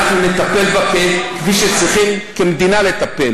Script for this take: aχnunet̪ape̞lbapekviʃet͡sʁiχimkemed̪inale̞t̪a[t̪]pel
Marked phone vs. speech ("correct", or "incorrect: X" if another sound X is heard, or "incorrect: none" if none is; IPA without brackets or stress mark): incorrect: none